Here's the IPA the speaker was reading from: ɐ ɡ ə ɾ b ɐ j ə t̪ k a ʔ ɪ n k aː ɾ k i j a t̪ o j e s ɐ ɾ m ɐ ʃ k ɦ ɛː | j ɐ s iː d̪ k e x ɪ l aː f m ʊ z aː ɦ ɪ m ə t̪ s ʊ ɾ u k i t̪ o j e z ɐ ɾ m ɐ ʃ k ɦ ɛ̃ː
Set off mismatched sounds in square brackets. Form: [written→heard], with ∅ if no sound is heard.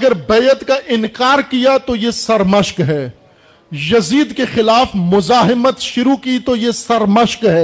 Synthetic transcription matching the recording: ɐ ɡ ə ɾ b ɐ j ə t̪ k a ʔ ɪ n k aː ɾ k i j a t̪ o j e s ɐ ɾ m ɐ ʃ k ɦ ɛː | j ɐ [s→z] iː d̪ k e x ɪ l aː f m ʊ z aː ɦ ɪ m ə t̪ [s→ʃ] ʊ ɾ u k i t̪ o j e [z→s] ɐ ɾ m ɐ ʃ k ɦ [ɛ̃ː→ɛː]